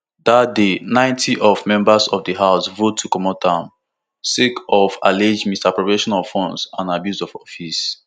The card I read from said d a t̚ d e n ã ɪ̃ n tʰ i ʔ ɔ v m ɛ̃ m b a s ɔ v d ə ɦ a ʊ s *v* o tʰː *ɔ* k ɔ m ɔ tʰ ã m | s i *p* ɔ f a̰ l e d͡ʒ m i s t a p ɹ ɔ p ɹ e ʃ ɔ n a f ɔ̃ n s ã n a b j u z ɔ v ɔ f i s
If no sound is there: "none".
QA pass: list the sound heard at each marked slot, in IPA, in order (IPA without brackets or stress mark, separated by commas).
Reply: v, u, k